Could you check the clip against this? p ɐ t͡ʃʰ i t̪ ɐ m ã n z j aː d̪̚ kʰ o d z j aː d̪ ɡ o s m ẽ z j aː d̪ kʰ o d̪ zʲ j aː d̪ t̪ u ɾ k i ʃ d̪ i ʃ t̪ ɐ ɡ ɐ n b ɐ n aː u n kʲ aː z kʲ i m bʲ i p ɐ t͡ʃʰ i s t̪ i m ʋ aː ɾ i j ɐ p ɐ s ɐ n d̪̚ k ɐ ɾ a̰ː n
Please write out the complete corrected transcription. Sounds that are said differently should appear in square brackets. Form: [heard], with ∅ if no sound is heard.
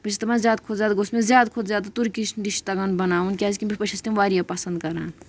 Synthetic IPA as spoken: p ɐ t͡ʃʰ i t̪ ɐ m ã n z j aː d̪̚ kʰ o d z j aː d̪ ɡ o s m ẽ z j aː d̪ kʰ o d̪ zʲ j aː d̪ t̪ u ɾ k i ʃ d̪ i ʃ t̪ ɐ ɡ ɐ n b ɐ n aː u n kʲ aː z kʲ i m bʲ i p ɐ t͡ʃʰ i s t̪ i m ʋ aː ɾ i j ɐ p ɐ s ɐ n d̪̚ k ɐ ɾ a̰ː n